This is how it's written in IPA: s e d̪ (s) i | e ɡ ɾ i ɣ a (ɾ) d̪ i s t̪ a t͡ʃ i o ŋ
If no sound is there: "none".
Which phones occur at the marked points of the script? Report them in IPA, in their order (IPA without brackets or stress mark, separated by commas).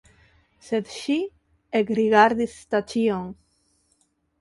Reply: ʃ, ɾ